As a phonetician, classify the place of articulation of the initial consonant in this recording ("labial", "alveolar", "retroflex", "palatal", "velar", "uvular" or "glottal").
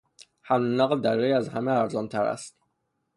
glottal